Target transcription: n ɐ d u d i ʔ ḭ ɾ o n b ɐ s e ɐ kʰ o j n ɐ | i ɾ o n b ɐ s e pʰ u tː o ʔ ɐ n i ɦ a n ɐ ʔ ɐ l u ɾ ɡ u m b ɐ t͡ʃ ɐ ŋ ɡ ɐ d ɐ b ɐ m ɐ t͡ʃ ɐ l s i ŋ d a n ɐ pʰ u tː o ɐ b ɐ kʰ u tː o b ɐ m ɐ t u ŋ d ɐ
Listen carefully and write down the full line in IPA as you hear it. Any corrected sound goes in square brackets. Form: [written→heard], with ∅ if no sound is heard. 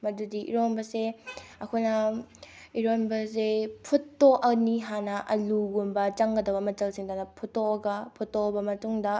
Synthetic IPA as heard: [n→m] ɐ d u d i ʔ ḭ ɾ o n b ɐ s e ɐ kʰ o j n ɐ | i ɾ o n b ɐ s e pʰ u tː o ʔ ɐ n i ɦ a n ɐ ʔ ɐ l u [ɾ→∅] ɡ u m b ɐ t͡ʃ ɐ ŋ ɡ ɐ d ɐ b ɐ m ɐ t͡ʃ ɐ l s i ŋ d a n ɐ pʰ u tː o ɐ [b→ɡ] ɐ [kʰ→pʰ] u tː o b ɐ m ɐ t u ŋ d ɐ